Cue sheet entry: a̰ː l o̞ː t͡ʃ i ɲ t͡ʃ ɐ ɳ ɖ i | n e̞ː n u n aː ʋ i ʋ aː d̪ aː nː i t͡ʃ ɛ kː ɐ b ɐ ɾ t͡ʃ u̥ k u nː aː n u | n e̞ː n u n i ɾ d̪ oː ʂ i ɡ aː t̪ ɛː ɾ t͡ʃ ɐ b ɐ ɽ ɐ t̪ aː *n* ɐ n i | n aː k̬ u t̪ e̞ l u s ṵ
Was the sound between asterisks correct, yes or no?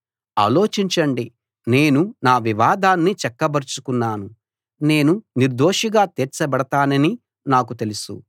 yes